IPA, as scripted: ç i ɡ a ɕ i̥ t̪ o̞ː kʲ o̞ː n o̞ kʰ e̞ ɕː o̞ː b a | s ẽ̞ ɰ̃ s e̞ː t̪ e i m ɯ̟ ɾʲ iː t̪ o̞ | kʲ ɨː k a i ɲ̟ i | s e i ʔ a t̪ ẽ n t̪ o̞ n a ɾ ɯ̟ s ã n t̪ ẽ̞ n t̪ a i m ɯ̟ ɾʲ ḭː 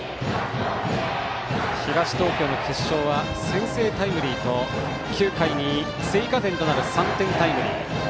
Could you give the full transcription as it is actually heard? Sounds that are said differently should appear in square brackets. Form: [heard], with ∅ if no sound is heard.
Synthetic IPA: ç i ɡ a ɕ i̥ t̪ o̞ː kʲ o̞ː n o̞ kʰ e̞ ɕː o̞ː [β] a | s ẽ̞ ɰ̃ s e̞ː t̪ [a] i m ɯ̟ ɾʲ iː t̪ o̞ | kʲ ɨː k a i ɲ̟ i | s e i [k] a t̪ ẽ n t̪ o̞ n a ɾ ɯ̟ s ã n t̪ ẽ̞ n t̪ a i m ɯ̟ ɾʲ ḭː